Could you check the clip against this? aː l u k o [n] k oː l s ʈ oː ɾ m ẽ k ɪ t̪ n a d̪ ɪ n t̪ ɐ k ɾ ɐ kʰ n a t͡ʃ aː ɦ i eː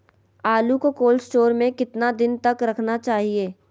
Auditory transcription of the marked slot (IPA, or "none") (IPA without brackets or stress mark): none